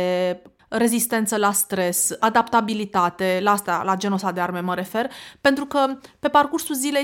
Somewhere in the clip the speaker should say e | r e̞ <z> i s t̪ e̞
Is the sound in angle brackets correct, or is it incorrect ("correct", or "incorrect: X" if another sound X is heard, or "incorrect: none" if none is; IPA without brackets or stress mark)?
correct